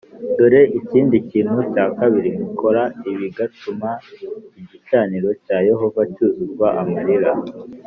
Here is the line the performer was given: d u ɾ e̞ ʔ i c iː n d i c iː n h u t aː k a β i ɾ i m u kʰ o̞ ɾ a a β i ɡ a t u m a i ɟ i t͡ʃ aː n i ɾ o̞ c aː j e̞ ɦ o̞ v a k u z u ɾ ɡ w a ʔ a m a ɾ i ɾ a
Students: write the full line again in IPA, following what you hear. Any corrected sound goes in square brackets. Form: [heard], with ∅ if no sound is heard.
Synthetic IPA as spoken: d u ɾ e̞ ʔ i c iː n d i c iː n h u [c] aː k a β i ɾ i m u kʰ o̞ ɾ a [i] β i ɡ a t u m a i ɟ i t͡ʃ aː n i ɾ o̞ c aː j e̞ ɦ o̞ v a [c] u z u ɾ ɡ w a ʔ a m a ɾ i ɾ a